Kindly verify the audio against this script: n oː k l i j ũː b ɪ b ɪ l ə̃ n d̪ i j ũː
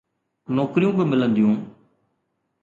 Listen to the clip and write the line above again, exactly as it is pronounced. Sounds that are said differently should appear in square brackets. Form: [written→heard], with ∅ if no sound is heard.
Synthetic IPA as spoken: n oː k [l→ɾ] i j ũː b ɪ [b→m] ɪ l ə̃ n d̪ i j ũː